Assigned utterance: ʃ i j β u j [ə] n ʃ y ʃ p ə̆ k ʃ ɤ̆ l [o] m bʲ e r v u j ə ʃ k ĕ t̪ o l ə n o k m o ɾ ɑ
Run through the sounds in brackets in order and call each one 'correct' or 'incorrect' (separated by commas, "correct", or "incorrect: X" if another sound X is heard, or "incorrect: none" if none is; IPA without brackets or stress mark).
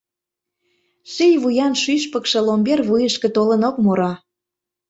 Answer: incorrect: ɑ, correct